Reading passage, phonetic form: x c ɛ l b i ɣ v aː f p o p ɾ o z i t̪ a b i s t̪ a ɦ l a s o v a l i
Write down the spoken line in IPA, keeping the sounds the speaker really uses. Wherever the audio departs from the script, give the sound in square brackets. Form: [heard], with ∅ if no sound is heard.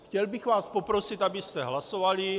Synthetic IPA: x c ɛ l b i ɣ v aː [s] p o p ɾ o [s] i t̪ a b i s t̪ [ɛ] ɦ l a s o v a l i